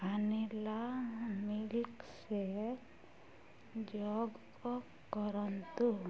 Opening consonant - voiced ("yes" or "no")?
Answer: yes